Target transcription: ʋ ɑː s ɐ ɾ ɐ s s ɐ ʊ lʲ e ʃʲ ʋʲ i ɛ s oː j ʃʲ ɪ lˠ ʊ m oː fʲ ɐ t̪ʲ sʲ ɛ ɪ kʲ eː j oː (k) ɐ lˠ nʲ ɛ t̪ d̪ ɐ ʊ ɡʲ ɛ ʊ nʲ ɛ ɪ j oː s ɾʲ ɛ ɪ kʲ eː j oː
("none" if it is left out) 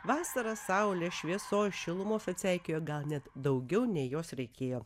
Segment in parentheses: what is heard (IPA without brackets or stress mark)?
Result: ɡ